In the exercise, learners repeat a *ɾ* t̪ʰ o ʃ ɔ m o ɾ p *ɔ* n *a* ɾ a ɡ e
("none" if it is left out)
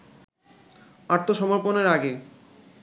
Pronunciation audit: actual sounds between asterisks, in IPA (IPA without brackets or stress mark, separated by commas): ɾ, o, e